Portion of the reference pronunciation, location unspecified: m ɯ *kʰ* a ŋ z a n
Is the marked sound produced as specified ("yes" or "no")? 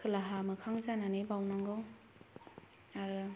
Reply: yes